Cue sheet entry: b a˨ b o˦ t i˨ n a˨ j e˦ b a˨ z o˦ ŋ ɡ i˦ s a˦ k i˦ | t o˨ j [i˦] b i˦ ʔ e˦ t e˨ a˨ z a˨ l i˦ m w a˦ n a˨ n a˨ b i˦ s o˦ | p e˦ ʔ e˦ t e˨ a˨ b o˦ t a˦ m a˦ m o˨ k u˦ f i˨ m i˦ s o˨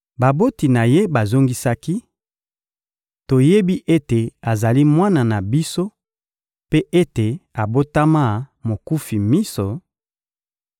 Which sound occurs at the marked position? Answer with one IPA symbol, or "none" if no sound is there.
e˦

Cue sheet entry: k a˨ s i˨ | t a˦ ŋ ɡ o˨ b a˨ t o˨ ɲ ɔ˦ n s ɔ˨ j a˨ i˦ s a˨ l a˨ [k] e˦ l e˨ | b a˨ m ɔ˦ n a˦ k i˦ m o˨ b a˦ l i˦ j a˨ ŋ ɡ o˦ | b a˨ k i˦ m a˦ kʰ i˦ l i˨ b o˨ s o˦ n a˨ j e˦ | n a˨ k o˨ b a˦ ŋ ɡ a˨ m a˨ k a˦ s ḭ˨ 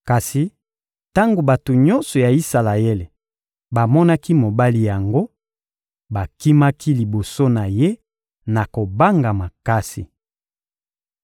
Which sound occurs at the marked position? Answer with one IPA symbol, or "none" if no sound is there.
none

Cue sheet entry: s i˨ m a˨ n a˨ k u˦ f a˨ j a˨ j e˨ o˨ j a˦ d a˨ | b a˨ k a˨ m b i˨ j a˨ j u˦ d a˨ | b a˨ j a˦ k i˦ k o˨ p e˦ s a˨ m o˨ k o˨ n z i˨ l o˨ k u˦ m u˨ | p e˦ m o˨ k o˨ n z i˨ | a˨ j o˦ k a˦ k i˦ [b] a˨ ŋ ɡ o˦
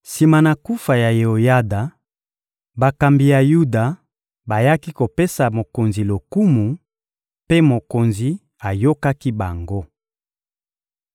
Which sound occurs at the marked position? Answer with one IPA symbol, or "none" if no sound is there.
b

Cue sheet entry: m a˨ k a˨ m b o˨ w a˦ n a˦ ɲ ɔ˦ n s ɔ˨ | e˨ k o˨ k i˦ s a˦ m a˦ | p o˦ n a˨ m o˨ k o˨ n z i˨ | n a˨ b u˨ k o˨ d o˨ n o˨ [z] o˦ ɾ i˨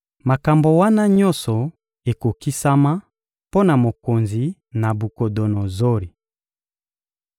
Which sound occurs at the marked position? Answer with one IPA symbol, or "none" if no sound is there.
z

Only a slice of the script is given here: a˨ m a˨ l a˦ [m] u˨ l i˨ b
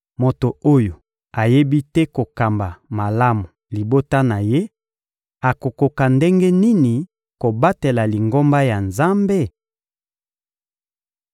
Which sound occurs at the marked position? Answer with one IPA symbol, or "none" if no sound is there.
m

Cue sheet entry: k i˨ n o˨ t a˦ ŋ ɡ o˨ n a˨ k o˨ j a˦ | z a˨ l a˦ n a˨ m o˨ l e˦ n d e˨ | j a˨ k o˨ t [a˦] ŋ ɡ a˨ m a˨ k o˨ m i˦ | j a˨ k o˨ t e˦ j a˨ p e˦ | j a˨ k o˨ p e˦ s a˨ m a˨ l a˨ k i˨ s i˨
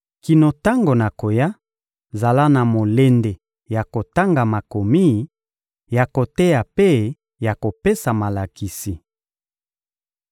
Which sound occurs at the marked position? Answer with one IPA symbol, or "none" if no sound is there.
a˦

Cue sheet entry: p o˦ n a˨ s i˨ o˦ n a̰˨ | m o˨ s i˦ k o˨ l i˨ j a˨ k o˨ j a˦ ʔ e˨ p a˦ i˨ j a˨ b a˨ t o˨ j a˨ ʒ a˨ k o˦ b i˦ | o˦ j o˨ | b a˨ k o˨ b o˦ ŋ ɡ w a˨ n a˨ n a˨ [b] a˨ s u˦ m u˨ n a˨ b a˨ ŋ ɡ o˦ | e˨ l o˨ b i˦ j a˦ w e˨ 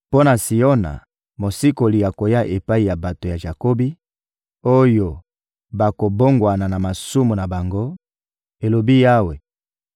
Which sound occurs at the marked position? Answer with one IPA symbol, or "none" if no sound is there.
m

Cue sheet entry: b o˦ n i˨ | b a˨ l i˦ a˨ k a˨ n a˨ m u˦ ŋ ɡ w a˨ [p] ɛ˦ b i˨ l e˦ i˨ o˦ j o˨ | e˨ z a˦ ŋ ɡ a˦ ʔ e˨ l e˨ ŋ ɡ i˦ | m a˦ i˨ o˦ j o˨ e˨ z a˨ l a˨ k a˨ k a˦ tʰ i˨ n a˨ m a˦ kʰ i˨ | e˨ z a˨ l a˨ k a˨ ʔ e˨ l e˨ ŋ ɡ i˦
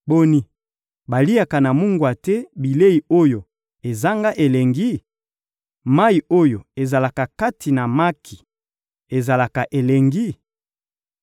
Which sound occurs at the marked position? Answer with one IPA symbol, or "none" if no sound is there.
t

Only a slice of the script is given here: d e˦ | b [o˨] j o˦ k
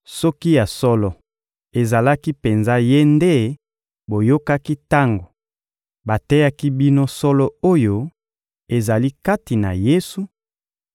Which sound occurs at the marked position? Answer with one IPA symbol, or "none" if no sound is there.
o˨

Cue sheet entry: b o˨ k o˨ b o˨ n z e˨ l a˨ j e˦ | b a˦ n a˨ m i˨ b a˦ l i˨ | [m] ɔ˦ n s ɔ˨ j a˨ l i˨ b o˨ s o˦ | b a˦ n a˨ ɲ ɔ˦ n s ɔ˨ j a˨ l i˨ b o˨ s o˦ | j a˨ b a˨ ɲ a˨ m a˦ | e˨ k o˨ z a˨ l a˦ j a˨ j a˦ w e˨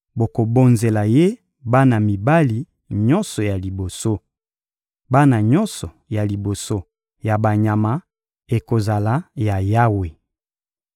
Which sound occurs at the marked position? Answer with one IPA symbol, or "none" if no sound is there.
ɲ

